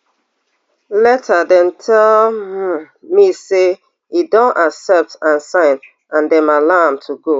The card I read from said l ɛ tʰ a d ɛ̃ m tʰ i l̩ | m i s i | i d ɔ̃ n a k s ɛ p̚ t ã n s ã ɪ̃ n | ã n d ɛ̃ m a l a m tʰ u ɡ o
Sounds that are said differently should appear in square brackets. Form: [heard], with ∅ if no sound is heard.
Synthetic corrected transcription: l ɛ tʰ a d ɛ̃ [n] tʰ [ɛ] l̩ | m i s [e] | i d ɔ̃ n a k s ɛ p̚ t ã n s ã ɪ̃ n | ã n d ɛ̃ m a l a m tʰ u ɡ o